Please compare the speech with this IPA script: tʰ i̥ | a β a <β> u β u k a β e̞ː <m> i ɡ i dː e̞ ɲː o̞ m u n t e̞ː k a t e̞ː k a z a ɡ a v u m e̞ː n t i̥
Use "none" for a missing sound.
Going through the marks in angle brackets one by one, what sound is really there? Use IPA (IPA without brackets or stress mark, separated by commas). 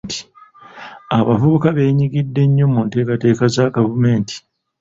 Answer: v, ɲ